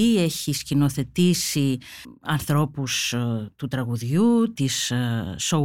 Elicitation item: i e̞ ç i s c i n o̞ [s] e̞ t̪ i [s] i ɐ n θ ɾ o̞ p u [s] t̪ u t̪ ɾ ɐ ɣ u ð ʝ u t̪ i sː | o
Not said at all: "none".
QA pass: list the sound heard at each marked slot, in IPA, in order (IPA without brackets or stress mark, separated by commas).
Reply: θ, s, s